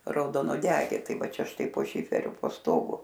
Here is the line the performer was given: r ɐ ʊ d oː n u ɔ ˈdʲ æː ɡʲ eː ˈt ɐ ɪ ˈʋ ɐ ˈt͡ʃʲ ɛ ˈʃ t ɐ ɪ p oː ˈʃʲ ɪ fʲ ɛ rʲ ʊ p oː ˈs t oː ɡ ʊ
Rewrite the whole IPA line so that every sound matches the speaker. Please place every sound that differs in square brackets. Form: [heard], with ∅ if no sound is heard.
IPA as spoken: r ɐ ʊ d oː n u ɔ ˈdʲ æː ɡʲ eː ˈt ɐ ɪ ˈʋ ɐ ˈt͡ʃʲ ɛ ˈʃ t ɐ ɪ p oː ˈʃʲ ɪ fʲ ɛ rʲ ʊ p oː ˈs t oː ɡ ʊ